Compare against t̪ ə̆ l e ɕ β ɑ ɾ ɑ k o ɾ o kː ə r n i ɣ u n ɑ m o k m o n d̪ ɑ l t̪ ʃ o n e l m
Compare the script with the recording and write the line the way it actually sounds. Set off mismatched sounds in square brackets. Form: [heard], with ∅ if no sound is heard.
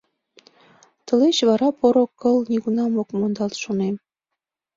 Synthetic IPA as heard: t̪ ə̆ l e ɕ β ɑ ɾ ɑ [p] o ɾ o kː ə [l] n i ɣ u n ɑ m o k m o n d̪ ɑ l t̪ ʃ o n e [∅] m